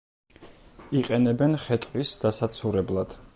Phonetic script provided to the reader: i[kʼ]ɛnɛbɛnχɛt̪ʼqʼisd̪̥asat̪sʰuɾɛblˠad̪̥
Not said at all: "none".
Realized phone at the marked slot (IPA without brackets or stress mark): qʼ